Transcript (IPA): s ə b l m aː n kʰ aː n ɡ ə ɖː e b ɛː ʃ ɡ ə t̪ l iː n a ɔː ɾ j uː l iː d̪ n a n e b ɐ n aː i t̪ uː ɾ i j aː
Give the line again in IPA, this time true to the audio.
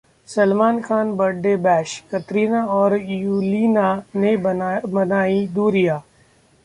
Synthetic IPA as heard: s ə l m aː n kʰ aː n b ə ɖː e b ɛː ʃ k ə t̪ ɾ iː n a ɔː ɾ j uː l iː n a n e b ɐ n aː i d̪ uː ɾ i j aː